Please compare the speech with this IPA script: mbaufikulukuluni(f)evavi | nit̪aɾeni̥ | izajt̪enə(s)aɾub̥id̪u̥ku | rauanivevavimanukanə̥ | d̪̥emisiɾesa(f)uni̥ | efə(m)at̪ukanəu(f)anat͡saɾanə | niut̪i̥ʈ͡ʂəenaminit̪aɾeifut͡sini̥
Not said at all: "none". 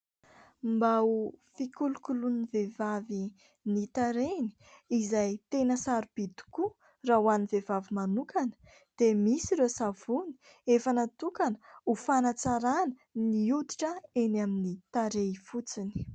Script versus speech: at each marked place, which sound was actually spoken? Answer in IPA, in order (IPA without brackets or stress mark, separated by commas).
v, s, v, n, f